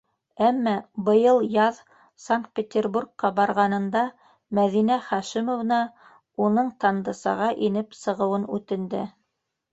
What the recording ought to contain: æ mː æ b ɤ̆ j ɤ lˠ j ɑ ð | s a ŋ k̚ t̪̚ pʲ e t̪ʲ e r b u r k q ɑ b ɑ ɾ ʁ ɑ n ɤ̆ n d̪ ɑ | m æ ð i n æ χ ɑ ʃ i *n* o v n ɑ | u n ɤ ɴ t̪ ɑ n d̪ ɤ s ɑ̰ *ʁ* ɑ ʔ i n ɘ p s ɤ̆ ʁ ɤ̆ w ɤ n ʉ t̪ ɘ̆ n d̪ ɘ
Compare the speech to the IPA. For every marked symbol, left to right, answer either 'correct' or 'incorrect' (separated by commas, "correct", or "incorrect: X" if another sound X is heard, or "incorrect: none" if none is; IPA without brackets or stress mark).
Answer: incorrect: m, correct